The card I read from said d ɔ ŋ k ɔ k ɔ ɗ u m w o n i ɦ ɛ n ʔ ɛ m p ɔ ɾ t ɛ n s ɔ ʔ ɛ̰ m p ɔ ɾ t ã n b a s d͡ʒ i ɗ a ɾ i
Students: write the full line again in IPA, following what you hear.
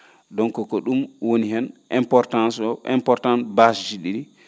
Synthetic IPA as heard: d ɔ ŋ k ɔ k ɔ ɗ u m w o n i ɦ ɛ n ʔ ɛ m p ɔ ɾ t a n s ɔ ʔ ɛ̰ m p ɔ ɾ t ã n b a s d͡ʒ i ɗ i ɾ i